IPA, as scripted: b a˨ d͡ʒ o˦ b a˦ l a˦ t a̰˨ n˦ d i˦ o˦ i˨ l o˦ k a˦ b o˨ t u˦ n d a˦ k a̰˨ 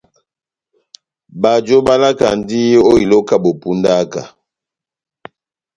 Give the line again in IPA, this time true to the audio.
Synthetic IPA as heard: b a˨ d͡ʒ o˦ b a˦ l a˦ k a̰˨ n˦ d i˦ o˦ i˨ l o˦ k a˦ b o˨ p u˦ n d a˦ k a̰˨